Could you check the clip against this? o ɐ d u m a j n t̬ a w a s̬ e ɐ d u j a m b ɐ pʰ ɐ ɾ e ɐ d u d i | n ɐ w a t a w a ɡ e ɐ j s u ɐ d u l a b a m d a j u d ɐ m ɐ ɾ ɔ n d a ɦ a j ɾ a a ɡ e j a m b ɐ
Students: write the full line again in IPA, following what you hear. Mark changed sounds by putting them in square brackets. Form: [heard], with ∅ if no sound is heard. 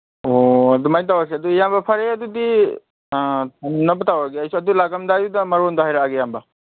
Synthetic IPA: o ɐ d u m a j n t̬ a w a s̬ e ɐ d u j a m b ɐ pʰ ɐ ɾ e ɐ d u d i | n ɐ [b] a t a w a ɡ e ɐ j s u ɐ d u l a [ɡ] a m d a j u d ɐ m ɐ ɾ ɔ n d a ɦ a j ɾ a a ɡ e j a m b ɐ